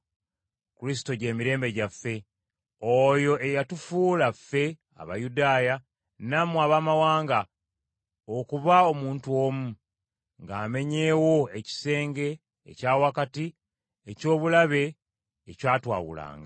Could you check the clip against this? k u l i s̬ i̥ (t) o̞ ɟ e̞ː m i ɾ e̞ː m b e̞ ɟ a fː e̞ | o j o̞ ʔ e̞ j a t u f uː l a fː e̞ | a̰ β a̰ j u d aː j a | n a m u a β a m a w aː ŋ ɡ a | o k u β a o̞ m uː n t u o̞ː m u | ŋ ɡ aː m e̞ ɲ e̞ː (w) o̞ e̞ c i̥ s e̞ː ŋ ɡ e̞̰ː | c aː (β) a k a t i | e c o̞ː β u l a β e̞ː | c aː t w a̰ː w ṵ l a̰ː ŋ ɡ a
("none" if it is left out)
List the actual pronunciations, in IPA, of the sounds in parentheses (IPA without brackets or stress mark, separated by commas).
t, w, w